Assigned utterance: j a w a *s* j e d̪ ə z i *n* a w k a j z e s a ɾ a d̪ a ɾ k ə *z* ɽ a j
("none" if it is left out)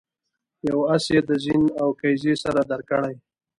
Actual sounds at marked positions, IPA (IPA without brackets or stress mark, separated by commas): s, n, none